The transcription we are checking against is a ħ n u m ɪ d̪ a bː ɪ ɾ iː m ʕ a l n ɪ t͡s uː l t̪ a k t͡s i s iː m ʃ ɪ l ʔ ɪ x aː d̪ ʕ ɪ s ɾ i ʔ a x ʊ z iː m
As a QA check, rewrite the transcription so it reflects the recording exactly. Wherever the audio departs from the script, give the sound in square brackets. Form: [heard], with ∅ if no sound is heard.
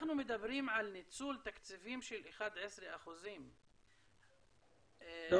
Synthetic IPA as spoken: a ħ n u m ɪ d̪ a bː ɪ ɾ iː m ʕ a l n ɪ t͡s uː l t̪ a k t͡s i [f] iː m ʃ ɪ l ʔ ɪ x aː d̪ ʕ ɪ s ɾ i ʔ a x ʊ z iː m